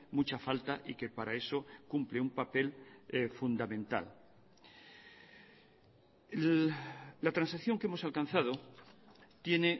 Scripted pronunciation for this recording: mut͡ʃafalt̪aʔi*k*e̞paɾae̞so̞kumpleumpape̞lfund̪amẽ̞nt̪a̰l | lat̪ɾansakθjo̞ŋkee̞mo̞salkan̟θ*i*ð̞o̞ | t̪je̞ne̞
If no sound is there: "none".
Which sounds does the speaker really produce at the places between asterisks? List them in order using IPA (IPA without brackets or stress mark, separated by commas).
k, a